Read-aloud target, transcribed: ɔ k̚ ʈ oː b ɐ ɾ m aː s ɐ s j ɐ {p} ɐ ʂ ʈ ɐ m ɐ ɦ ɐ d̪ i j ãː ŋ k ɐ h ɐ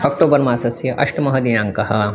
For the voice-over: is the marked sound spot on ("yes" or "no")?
no